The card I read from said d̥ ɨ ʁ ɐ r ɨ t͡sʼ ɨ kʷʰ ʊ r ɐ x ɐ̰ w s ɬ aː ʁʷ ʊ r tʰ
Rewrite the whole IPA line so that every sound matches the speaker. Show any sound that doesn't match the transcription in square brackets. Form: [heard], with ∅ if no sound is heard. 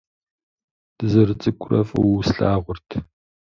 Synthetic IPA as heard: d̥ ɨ [z] ɐ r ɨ t͡sʼ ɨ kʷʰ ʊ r ɐ [f] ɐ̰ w s ɬ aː ʁʷ ʊ r tʰ